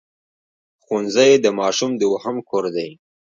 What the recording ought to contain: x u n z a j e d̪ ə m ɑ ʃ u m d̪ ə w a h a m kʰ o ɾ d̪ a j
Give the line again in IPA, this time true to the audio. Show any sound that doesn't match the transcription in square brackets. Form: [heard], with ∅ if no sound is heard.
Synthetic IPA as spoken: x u n z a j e d̪ ə m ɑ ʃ u m d̪ ə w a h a m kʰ o ɾ d̪ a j